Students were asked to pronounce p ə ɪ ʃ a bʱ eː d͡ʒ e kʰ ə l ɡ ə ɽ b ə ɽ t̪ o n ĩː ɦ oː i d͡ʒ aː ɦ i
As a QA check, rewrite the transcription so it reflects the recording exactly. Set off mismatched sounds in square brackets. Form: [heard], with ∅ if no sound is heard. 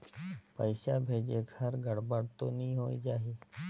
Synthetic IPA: p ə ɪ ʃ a bʱ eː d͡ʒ e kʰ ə [ɾ] ɡ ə ɽ b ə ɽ t̪ o n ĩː ɦ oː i d͡ʒ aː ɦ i